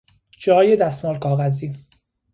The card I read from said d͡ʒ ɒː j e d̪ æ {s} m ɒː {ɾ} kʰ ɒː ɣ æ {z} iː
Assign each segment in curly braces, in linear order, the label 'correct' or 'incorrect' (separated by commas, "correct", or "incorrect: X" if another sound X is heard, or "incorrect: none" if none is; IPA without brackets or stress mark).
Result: correct, incorrect: l, correct